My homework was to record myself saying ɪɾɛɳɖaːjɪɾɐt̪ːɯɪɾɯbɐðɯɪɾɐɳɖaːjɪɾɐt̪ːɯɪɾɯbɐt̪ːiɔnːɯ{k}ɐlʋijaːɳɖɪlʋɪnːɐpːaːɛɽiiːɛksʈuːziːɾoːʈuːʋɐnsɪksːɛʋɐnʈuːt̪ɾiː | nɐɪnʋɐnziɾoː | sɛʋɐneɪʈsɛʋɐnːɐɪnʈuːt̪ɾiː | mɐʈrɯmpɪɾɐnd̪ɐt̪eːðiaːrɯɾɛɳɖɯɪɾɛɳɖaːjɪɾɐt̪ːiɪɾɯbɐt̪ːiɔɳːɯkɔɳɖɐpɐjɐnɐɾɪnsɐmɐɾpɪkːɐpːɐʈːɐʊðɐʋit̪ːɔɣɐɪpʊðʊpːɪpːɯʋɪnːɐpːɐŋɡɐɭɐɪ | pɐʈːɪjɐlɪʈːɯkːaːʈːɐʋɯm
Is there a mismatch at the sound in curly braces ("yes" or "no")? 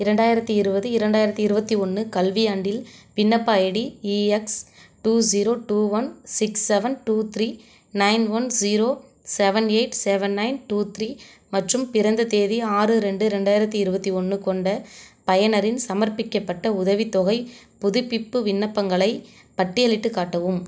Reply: no